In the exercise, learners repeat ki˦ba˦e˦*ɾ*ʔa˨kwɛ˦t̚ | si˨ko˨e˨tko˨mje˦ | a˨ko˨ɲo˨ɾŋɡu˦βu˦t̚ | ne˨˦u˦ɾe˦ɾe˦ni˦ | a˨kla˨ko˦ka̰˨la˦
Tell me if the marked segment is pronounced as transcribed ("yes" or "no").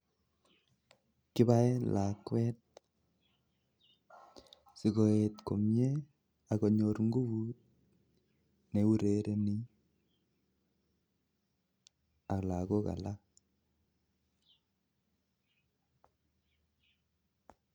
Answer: no